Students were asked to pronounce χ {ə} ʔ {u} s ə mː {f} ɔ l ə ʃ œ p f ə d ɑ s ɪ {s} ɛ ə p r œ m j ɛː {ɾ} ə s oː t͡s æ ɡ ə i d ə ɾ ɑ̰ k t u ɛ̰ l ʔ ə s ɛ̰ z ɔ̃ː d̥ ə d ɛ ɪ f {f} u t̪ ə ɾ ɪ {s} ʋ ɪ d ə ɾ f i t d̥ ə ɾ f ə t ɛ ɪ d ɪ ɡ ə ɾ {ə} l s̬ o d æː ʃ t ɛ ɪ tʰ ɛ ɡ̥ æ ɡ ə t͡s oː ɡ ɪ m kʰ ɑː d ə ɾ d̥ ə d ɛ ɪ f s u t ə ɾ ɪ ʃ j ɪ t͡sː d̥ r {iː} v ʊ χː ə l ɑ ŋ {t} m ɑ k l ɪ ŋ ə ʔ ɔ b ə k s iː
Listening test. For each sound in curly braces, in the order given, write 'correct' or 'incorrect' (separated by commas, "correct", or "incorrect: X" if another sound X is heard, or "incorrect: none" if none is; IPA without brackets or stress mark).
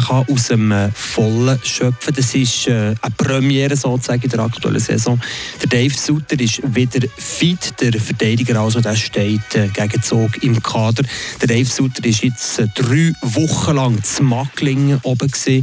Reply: incorrect: ɑ, correct, correct, incorrect: ʃ, correct, incorrect: s, incorrect: ʃ, incorrect: ɑ, incorrect: yː, incorrect: t͡s